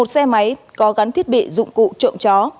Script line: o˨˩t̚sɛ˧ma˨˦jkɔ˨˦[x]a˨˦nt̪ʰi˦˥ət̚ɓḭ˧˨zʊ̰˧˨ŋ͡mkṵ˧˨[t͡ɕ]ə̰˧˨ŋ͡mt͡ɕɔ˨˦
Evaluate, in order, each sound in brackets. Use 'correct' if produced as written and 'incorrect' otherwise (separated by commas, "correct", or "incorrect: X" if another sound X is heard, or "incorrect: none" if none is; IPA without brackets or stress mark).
incorrect: ɣ, correct